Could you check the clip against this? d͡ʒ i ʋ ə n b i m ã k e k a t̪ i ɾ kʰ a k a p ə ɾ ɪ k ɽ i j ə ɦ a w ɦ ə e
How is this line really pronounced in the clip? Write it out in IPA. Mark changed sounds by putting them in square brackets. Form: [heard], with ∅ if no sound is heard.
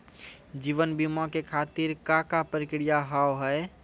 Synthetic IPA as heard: d͡ʒ i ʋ ə n b i m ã k e [kʰ] a t̪ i ɾ [k] a k a p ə ɾ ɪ k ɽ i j [a] ɦ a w ɦ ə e